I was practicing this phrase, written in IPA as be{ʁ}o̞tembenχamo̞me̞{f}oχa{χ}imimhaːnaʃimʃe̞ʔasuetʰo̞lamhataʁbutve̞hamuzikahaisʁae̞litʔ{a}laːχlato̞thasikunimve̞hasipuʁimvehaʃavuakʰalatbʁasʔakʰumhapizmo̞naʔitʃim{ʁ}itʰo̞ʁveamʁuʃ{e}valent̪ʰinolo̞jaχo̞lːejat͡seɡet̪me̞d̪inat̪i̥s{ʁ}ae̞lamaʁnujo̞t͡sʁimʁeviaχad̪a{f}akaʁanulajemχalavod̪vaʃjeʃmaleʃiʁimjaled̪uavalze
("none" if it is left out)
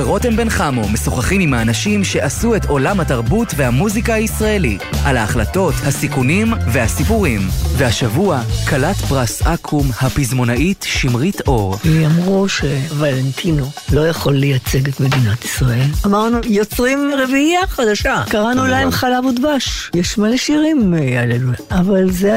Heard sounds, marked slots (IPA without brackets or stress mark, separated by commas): ʁ, s, χ, a, ʁ, e, ʁ, ʃ